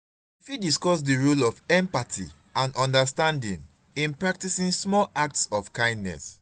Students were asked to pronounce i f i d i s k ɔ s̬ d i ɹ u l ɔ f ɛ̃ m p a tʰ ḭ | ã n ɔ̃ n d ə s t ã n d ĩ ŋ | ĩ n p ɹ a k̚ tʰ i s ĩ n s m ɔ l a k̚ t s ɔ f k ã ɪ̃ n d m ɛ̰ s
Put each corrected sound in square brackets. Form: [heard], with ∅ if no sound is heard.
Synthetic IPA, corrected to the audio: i f i d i s k ɔ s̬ d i ɹ u l ɔ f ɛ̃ m p a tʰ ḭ | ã n ɔ̃ n d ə s t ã n d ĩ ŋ | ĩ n p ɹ a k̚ [t] i s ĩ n s m ɔ l a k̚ t s ɔ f k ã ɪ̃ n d [n] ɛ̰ s